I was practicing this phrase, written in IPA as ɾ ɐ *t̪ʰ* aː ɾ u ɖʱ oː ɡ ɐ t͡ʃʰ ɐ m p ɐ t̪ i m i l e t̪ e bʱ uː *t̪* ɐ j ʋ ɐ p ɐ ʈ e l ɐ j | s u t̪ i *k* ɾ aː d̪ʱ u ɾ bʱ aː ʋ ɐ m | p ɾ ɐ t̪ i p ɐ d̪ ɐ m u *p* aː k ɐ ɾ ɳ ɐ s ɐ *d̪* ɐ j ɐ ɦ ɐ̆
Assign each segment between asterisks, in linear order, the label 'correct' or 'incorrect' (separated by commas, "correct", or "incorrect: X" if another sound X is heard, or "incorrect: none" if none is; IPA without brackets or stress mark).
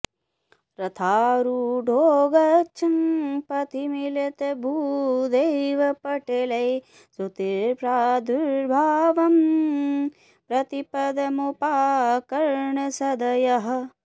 correct, incorrect: d̪, incorrect: p, correct, correct